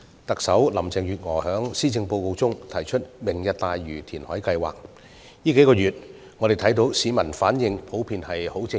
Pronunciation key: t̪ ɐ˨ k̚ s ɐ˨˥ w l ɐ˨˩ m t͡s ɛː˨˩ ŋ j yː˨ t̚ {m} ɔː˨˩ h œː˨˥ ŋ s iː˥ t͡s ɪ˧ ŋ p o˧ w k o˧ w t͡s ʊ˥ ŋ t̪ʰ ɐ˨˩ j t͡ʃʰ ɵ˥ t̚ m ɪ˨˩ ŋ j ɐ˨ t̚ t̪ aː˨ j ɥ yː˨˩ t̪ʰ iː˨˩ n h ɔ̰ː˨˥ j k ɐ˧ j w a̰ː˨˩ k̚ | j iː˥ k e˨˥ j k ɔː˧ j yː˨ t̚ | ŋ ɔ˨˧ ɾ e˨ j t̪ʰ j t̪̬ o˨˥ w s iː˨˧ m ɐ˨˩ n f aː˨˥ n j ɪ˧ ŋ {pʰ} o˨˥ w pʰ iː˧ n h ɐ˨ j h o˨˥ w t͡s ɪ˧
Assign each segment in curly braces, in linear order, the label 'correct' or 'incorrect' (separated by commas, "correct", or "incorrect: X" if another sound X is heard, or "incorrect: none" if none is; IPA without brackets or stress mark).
incorrect: ŋ, correct